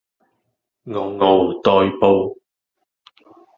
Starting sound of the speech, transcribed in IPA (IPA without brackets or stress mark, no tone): ŋ